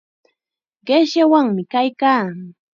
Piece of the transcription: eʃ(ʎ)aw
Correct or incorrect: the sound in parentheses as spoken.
incorrect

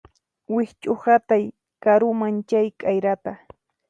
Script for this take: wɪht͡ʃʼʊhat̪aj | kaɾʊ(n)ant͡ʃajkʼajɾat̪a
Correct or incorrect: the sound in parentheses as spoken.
incorrect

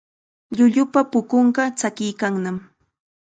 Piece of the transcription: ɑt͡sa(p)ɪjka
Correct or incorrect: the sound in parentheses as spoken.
incorrect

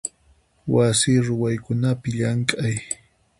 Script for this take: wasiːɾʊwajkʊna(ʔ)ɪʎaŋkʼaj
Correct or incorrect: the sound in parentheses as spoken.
incorrect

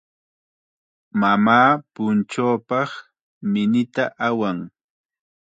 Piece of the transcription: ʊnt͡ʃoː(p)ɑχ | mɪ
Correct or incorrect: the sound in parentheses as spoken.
correct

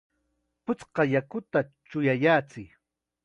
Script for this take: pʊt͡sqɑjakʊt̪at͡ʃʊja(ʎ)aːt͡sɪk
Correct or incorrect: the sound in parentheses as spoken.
incorrect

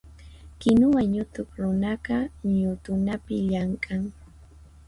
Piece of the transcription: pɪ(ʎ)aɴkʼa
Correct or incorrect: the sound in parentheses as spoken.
correct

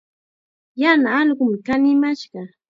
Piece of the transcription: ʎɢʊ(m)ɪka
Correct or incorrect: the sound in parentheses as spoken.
correct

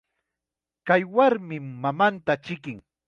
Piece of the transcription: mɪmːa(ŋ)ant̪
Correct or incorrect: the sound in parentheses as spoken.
incorrect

